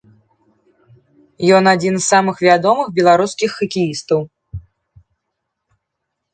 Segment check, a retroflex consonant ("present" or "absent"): absent